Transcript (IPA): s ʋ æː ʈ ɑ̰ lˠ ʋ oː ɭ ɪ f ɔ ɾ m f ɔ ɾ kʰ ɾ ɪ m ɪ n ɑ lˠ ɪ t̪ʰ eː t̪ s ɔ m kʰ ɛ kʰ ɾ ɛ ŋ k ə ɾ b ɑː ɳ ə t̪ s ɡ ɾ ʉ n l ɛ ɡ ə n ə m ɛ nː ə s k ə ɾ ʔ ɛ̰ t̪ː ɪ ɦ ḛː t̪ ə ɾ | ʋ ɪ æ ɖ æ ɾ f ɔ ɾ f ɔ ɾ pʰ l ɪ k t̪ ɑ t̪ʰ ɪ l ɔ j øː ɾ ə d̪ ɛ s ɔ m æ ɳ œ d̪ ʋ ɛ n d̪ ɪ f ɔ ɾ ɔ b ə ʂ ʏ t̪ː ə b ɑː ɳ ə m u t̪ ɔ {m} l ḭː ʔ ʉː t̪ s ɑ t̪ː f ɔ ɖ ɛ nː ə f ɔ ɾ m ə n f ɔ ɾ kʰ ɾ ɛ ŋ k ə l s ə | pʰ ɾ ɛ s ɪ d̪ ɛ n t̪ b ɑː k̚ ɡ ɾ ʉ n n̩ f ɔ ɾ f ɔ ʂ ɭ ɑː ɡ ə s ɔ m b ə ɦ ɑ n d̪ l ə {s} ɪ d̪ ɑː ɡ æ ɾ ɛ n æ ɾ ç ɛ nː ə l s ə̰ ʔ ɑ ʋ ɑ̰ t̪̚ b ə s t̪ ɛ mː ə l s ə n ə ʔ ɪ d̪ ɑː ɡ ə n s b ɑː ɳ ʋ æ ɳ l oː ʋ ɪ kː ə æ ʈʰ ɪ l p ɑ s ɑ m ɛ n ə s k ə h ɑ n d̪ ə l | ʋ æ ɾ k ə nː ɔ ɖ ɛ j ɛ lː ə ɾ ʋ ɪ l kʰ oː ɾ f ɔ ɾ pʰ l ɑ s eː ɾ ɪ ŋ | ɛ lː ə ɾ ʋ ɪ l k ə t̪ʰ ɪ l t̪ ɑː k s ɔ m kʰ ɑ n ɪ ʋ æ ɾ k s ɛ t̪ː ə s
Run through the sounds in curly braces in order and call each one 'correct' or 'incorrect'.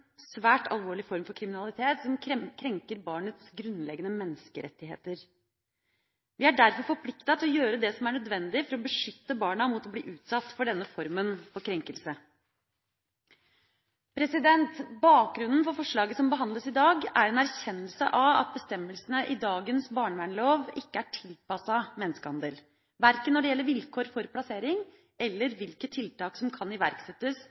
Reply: incorrect: b, correct

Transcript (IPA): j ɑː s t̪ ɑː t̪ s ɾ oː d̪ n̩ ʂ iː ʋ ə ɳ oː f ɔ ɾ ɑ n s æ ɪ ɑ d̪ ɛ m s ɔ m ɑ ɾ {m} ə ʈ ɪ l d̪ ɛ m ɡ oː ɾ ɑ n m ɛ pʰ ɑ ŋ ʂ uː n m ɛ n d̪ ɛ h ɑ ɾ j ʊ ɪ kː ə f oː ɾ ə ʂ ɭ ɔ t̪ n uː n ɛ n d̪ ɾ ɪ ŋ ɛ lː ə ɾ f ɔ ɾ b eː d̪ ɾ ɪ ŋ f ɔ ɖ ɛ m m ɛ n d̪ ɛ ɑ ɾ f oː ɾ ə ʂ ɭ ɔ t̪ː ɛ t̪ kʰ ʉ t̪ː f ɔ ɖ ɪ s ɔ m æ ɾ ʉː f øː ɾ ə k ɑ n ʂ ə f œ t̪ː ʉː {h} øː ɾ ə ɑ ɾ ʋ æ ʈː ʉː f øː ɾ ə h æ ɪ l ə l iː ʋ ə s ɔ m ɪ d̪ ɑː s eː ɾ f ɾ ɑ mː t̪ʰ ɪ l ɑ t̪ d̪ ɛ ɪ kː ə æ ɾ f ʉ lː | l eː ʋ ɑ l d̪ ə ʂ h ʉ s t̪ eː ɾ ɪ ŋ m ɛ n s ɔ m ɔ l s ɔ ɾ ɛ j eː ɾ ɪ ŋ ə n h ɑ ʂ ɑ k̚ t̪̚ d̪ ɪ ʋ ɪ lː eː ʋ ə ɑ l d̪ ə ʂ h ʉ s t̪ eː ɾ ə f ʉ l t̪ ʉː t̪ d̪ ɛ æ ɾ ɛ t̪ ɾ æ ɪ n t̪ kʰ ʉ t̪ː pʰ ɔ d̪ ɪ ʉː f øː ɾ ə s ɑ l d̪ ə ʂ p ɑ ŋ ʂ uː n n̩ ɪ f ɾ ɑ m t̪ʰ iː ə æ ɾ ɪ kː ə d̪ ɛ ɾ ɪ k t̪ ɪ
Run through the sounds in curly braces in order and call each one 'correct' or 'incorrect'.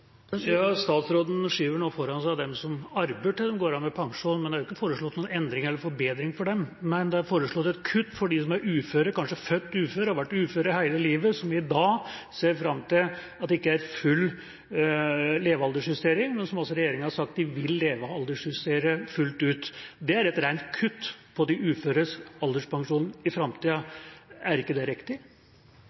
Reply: incorrect: b, incorrect: f

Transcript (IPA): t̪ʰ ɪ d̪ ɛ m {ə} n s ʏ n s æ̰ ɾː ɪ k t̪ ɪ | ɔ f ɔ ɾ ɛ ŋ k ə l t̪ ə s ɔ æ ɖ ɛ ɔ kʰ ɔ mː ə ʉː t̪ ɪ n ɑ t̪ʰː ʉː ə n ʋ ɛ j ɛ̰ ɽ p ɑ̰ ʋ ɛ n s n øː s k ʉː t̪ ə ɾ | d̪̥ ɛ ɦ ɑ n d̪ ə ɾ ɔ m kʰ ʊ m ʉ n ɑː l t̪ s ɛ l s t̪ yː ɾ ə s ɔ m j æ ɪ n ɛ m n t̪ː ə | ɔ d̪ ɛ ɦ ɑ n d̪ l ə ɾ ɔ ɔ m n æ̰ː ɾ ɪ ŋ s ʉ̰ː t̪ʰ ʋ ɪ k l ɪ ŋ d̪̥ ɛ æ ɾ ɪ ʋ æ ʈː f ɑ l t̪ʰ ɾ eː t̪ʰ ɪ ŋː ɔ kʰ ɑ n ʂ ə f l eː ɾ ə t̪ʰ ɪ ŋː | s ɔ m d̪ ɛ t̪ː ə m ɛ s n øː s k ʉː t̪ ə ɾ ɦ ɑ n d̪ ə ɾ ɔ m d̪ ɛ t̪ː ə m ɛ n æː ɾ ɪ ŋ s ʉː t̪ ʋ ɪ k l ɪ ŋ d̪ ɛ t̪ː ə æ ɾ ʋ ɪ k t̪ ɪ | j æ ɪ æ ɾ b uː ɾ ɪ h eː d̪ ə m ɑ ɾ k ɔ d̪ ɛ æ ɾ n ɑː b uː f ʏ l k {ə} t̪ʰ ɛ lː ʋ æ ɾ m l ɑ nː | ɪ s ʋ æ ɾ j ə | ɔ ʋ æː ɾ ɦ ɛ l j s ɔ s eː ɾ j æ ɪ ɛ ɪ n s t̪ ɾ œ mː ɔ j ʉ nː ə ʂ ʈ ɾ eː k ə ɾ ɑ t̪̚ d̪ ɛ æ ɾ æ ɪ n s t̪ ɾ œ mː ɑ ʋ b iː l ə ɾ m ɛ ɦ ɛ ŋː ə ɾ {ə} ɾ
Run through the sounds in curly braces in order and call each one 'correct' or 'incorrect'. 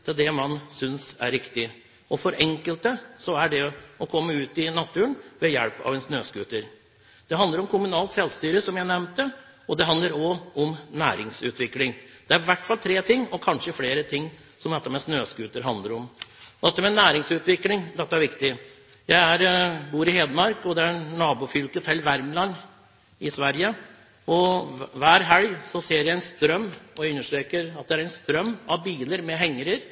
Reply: incorrect: ɑ, correct, correct

